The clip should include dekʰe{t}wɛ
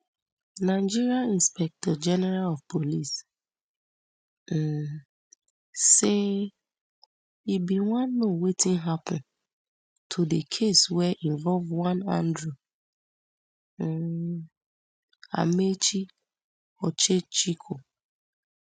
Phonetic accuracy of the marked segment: incorrect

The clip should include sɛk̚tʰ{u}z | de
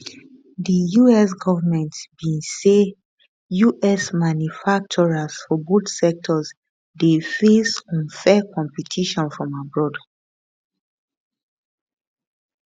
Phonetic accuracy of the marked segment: incorrect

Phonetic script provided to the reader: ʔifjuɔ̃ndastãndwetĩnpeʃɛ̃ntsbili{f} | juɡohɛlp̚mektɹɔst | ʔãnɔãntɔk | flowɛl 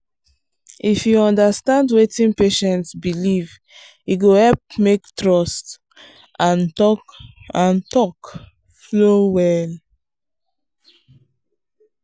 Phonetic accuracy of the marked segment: incorrect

